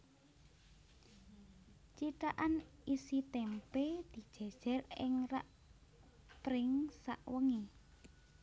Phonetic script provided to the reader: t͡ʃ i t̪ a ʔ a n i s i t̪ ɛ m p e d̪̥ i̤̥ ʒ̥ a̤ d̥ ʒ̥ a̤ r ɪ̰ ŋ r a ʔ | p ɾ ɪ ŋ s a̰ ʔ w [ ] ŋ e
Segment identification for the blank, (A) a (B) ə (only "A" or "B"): B